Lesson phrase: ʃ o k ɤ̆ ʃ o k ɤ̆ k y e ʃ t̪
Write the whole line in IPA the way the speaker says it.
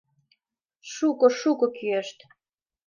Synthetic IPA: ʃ u k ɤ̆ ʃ u k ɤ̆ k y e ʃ t̪